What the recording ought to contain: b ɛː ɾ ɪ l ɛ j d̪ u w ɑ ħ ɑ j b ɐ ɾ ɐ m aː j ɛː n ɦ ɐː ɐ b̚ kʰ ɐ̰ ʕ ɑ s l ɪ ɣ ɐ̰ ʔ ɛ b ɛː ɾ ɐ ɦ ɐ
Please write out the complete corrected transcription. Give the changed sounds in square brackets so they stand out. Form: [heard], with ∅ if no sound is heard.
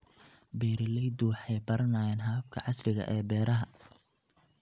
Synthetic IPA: b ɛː ɾ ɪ l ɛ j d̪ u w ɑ ħ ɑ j b ɐ ɾ ɐ [n] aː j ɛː n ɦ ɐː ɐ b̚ kʰ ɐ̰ ʕ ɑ s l ɪ ɣ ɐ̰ ʔ [ɛː] b ɛː ɾ ɐ ɦ ɐ